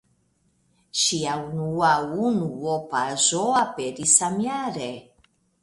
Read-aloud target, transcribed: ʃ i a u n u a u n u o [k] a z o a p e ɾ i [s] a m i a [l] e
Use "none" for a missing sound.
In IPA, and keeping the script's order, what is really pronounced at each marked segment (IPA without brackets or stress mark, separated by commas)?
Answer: p, s, ɾ